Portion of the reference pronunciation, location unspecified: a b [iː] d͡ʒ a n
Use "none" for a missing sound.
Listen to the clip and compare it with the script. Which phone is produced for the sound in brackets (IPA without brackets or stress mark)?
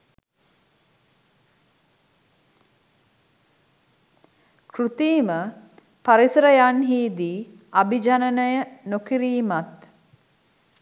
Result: i